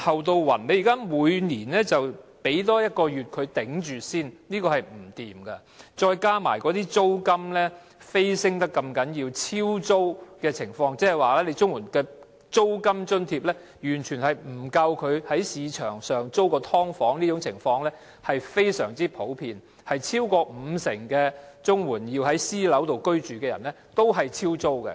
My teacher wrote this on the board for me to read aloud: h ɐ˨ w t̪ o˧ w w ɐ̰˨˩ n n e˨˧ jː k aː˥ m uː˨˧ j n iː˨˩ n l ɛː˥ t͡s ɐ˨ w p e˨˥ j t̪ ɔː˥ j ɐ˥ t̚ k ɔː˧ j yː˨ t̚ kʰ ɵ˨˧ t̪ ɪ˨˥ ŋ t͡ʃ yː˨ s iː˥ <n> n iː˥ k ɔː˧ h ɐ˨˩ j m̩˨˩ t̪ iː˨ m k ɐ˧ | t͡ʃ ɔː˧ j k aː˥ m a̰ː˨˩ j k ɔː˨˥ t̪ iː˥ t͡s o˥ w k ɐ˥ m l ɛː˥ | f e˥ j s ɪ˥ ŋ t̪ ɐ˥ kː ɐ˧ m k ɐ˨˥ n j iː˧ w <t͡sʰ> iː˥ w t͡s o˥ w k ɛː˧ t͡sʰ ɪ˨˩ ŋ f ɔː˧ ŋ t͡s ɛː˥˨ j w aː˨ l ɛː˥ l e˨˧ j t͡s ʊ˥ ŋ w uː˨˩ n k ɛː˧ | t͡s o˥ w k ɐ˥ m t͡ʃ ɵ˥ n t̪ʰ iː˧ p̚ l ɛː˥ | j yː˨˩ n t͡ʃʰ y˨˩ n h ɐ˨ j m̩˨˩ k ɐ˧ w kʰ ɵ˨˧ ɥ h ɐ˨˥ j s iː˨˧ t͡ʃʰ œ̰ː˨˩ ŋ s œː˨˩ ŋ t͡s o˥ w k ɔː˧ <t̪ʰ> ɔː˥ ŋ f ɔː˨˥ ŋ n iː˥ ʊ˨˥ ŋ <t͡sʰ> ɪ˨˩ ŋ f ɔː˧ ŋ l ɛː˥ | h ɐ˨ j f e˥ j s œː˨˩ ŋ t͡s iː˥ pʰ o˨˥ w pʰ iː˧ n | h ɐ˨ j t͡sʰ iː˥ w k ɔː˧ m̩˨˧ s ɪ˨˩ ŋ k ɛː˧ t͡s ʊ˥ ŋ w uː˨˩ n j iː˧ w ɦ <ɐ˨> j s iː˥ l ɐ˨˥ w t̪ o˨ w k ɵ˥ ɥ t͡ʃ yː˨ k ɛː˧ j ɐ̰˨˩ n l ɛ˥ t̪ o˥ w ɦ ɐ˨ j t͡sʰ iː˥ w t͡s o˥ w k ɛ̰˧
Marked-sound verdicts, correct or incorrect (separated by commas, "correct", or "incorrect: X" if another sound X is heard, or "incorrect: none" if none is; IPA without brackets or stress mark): correct, correct, correct, correct, incorrect: ɐ˨˥